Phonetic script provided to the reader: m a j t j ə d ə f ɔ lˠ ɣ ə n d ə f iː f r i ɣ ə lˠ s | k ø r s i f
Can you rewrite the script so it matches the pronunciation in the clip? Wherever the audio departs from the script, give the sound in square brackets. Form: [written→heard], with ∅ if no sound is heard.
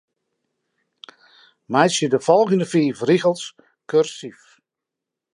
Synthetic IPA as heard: m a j [t→s] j ə d ə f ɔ lˠ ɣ ə n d ə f iː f r i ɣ ə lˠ s | k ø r s i f